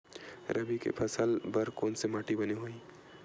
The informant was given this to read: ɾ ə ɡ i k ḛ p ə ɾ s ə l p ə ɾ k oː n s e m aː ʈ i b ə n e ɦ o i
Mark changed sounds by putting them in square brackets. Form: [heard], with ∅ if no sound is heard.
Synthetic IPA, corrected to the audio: ɾ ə [b] i k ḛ [pʰ] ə [∅] s ə l [b] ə ɾ k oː n s e m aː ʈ i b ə n e ɦ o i